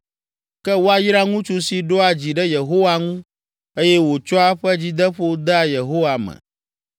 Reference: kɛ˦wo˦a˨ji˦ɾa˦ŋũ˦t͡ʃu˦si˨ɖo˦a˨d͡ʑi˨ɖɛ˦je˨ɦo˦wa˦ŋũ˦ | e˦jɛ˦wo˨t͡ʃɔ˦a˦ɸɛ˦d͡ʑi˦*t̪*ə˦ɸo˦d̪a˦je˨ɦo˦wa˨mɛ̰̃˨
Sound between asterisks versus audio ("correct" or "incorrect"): incorrect